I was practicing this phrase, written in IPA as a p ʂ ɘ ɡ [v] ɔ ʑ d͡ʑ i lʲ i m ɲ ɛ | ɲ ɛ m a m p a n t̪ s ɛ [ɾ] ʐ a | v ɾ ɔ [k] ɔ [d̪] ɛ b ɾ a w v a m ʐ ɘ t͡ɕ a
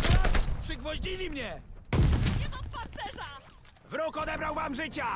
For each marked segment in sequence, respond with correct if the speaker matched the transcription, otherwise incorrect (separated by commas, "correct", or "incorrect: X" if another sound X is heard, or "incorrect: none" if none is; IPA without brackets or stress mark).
correct, incorrect: none, correct, correct